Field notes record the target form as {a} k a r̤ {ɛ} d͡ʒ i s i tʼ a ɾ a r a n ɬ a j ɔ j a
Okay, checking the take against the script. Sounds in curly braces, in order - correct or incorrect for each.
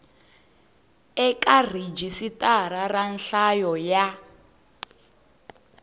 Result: incorrect: ɛ, incorrect: i

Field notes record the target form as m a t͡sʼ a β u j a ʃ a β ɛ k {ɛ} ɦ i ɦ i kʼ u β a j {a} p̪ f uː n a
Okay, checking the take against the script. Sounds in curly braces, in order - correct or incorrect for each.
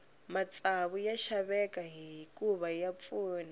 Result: incorrect: a, correct

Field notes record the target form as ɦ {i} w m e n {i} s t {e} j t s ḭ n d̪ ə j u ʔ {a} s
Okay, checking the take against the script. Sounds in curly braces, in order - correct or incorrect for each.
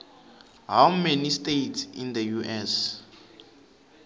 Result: incorrect: a, correct, correct, incorrect: ɛ

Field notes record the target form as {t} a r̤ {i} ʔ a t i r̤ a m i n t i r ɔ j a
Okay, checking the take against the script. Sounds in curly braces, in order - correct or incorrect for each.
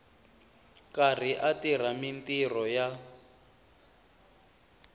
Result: incorrect: k, correct

